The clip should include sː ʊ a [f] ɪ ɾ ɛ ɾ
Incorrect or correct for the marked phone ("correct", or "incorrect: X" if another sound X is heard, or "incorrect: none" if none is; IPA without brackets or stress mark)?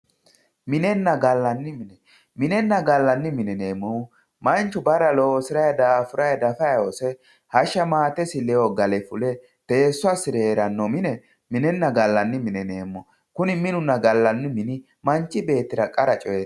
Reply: incorrect: s